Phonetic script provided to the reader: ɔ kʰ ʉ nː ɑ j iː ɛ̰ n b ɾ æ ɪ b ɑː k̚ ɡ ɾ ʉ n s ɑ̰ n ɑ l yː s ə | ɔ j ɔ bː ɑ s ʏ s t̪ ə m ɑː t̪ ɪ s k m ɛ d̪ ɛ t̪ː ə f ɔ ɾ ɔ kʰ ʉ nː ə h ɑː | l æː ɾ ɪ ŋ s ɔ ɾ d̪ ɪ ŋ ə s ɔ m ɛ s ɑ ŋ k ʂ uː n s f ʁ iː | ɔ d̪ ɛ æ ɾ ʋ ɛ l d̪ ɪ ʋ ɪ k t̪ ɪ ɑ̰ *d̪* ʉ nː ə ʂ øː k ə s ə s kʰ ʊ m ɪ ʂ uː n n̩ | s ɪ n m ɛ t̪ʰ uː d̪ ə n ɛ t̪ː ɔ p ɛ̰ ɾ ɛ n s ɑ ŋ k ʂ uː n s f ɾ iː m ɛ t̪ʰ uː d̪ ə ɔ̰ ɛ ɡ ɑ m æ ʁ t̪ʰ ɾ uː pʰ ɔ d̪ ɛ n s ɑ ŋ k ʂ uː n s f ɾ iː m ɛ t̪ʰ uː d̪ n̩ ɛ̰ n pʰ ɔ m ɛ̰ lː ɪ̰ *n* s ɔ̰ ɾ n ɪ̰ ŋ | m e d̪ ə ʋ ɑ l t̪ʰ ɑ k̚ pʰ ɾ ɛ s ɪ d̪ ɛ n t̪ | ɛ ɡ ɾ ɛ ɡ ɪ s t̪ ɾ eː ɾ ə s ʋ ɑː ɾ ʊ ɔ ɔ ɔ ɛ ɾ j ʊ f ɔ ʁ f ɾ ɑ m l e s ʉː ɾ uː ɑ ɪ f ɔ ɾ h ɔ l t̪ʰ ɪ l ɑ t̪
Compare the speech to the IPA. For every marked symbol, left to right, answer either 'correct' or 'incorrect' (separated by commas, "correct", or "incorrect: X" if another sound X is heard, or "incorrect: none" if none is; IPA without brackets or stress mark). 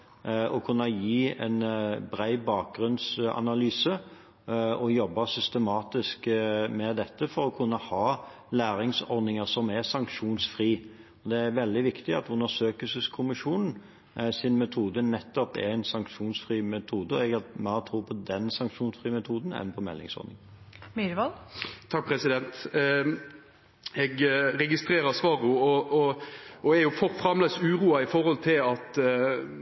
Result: incorrect: t̪, incorrect: ŋ